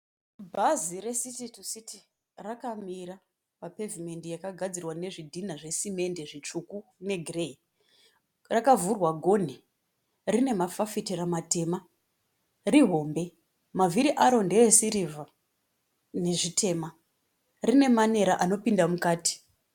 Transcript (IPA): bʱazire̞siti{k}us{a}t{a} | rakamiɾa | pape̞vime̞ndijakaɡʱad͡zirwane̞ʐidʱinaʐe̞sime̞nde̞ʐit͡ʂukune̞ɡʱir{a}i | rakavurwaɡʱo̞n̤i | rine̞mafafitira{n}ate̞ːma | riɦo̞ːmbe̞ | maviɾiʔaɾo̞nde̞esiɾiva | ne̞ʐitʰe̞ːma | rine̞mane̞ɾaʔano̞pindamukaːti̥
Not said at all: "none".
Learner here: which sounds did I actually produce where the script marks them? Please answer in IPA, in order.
t, i, i, e, m

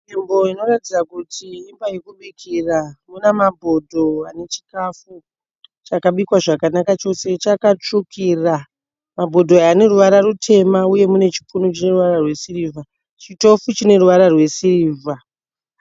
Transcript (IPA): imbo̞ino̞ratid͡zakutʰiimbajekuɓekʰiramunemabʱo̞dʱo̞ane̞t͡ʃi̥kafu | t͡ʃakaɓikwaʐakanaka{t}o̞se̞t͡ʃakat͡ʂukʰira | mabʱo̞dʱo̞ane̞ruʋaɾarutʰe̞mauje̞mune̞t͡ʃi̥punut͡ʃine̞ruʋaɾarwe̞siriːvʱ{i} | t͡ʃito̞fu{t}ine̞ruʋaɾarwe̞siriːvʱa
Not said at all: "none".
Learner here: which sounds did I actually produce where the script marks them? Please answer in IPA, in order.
t͡ʃ, a, t͡ʃ

